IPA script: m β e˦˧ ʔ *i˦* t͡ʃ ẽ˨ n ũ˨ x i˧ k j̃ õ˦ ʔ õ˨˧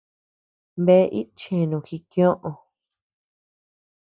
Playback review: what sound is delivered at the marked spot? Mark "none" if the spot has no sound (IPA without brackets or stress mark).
i˦